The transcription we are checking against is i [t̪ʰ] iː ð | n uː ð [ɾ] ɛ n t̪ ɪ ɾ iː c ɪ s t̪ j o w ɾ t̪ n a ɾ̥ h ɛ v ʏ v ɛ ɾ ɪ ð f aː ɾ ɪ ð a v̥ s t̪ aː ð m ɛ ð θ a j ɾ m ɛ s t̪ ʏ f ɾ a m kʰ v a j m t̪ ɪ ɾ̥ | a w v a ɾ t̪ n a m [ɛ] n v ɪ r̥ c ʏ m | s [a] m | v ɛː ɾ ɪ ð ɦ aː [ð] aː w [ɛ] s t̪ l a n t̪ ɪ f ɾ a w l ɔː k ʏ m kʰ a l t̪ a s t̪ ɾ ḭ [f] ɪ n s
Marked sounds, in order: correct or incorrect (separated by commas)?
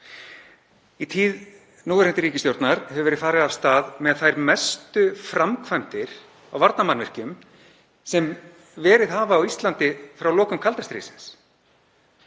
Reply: correct, correct, incorrect, incorrect, incorrect, incorrect, incorrect